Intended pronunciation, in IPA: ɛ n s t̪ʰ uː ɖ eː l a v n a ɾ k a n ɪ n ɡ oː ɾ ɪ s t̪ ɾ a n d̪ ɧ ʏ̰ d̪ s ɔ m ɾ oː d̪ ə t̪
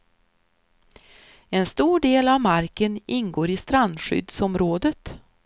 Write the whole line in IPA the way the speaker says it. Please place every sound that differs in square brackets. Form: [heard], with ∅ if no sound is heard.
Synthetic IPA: ɛ n s [t̪] uː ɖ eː l a v [m] a ɾ k [ə] n ɪ n ɡ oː ɾ ɪ s t̪ ɾ a n d̪ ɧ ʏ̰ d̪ s ɔ m ɾ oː d̪ ə t̪